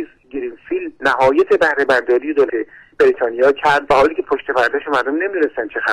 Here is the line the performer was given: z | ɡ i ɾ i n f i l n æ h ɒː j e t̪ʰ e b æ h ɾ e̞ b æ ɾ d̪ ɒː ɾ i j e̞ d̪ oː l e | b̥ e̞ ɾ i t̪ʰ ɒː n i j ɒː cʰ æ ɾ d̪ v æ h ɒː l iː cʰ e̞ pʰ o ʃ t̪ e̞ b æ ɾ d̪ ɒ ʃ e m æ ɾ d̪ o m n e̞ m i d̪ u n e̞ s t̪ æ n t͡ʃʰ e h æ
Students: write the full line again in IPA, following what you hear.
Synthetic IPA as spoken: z | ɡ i ɾ i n f i l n æ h ɒː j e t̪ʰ e b æ h ɾ e̞ b æ ɾ d̪ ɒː ɾ i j e̞ d̪ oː l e | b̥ e̞ ɾ i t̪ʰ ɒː n i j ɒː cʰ æ ɾ d̪ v æ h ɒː l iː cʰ e̞ pʰ o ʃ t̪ e̞ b æ ɾ d̪ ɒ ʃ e m æ ɾ d̪ o m n e̞ m i d̪ u n e̞ s t̪ æ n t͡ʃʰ e x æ